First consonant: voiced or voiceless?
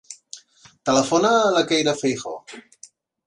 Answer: voiceless